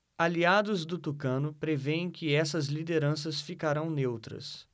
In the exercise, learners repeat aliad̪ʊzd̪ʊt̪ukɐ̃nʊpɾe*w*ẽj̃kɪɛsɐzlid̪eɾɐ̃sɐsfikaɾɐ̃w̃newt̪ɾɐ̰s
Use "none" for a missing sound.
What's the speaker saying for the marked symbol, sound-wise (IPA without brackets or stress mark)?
v